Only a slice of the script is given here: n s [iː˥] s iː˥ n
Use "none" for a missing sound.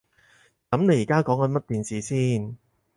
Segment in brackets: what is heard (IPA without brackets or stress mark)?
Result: iː˨